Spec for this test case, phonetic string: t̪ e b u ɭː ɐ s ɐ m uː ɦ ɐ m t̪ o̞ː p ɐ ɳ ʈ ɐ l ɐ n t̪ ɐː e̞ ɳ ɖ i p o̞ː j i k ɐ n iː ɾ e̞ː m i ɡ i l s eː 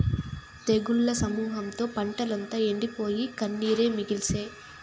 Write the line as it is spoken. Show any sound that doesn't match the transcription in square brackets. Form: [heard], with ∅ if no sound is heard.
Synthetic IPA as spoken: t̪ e [ɡ] u ɭː ɐ s ɐ m uː ɦ ɐ m t̪ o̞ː p ɐ ɳ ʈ ɐ l ɐ n t̪ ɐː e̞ ɳ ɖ i p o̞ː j i k ɐ [nː] iː ɾ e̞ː m i ɡ i l s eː